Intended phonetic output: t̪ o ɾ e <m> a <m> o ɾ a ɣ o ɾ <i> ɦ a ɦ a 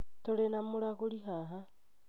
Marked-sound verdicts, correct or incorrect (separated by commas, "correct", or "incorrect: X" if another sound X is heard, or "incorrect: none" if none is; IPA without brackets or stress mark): incorrect: n, correct, correct